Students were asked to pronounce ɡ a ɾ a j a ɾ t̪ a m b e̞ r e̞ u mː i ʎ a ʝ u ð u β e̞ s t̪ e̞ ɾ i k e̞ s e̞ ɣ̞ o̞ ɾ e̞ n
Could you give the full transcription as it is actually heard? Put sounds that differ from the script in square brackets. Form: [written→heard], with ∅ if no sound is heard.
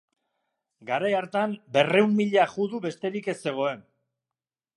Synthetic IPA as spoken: ɡ a ɾ a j a ɾ t̪ a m b e̞ r e̞ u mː i ʎ a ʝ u ð u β e̞ s t̪ e̞ ɾ i k e̞ s e̞ ɣ̞ o̞ [ɾ→∅] e̞ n